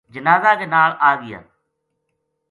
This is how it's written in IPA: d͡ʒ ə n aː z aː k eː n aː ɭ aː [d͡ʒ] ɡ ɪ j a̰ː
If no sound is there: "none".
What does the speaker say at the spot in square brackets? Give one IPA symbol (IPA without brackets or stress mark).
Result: none